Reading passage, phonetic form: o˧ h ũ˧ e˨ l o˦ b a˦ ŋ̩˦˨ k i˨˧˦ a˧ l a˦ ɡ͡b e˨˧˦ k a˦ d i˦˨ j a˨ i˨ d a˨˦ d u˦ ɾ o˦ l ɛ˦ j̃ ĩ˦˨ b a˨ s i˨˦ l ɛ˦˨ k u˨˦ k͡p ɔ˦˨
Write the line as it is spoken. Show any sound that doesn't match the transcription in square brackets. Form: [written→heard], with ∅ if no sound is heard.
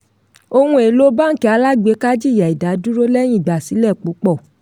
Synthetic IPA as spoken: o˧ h ũ˧ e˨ l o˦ b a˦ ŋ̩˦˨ k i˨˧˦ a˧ l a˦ ɡ͡b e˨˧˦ k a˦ [d→d͡ʒ] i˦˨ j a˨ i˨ d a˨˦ d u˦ ɾ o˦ l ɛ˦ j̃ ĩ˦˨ [b→ɡ͡b] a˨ s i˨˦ l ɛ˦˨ [k→k͡p] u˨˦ k͡p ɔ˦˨